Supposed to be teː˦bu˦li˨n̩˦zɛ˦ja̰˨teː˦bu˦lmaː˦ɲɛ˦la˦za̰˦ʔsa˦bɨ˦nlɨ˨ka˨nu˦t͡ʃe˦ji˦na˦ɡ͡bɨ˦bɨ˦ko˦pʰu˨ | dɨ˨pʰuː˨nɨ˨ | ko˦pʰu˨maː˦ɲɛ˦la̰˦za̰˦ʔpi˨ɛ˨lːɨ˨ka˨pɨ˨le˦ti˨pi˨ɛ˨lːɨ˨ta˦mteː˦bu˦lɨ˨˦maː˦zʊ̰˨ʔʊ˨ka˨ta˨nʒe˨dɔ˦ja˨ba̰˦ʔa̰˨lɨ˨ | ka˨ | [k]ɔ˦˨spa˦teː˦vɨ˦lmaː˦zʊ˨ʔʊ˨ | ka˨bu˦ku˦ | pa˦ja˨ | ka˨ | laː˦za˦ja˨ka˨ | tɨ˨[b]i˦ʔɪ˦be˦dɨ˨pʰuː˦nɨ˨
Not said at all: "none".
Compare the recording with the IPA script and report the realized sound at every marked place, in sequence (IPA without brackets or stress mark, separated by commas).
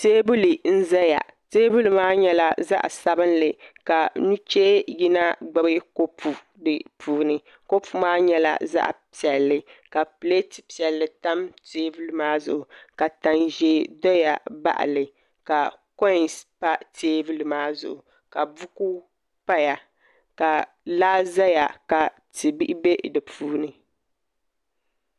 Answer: k, b